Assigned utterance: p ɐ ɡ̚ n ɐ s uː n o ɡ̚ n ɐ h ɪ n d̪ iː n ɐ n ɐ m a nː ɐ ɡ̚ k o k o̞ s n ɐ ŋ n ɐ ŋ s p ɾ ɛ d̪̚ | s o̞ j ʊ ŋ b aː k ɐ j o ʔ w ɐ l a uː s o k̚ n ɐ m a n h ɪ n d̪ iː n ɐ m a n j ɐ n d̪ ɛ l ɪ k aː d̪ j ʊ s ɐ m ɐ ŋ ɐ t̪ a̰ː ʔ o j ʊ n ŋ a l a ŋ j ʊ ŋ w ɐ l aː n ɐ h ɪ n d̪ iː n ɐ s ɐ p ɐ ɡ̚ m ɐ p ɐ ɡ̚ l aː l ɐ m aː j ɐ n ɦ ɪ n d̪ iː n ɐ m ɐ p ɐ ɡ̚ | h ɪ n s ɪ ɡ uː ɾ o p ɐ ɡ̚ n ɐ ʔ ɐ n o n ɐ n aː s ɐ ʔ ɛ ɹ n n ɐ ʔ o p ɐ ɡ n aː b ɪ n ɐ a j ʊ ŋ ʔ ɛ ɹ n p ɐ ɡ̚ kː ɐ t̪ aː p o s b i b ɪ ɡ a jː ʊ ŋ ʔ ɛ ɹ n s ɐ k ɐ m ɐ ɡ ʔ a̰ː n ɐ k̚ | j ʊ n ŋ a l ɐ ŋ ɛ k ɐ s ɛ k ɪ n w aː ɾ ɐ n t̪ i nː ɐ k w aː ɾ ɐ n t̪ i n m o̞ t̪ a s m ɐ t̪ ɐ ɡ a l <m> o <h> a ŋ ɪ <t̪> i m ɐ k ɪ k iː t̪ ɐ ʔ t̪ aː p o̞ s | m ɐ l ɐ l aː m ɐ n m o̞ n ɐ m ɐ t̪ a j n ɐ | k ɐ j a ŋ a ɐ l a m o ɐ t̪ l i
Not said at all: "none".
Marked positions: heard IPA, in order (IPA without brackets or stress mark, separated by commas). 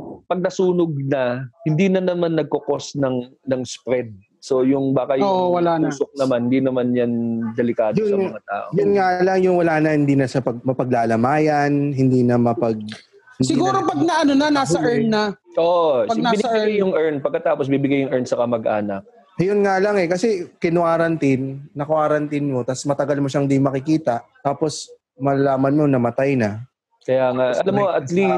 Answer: m, ʃ, d̪